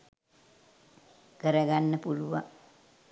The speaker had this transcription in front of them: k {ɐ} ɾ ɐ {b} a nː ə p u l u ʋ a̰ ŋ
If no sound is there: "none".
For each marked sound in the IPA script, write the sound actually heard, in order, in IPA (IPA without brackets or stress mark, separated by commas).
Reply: ə, ɡ